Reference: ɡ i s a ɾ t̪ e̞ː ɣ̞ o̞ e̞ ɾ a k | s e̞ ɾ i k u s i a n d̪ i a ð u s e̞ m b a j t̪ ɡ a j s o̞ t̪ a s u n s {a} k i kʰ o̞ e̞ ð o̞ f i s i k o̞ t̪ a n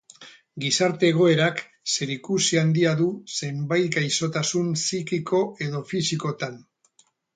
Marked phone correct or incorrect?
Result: incorrect